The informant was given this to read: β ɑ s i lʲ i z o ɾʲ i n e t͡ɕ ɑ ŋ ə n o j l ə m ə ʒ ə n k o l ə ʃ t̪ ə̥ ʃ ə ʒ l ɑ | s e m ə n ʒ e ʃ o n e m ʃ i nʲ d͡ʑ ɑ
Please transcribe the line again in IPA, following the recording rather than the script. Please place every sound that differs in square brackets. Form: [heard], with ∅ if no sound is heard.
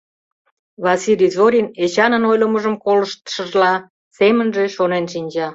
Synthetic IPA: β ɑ s i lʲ i z o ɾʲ i n e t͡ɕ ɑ [n] ə n o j l ə m ə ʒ ə [m] k o l ə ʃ t̪ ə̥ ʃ ə ʒ l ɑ | s e m ə n ʒ e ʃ o n e [n] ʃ i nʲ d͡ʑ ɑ